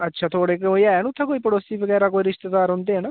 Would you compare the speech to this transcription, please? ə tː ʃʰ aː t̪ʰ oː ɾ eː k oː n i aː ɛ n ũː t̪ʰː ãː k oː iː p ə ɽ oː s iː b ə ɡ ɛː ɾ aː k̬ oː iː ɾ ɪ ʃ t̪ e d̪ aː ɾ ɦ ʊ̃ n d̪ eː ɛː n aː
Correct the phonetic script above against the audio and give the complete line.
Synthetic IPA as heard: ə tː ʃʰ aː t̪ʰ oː ɽ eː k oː i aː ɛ n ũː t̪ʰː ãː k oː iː p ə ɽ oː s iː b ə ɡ ɛː ɾ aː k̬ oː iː ɾ ɪ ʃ t̪ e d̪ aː ɾ ɦ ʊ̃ n d̪ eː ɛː n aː